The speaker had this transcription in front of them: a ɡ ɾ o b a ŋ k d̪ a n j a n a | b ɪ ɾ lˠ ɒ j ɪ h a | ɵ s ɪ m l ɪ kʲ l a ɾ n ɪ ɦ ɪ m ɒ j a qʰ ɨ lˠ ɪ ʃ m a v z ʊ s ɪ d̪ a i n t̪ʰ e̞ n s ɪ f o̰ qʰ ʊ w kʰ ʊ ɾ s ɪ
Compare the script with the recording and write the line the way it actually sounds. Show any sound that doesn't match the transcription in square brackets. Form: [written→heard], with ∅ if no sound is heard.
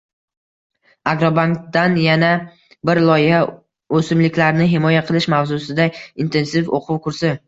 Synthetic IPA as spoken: a ɡ ɾ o b a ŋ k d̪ a n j a n a | b ɪ ɾ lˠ ɒ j ɪ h a | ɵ s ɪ m l ɪ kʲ l a ɾ n ɪ ɦ ɪ m ɒ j a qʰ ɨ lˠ ɪ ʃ m a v z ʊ s ɪ d̪ a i n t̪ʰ e̞ n s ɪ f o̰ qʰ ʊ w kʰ ʊ ɾ s ɪ